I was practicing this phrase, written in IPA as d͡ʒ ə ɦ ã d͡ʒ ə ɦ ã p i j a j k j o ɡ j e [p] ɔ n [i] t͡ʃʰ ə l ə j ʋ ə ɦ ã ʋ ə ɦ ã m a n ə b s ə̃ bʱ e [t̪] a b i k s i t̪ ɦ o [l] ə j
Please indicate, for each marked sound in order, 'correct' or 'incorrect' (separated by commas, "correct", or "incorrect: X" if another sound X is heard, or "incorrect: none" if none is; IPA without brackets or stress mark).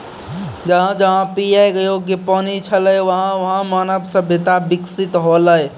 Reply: correct, correct, correct, correct